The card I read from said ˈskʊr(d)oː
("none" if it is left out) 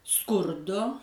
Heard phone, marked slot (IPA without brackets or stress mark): d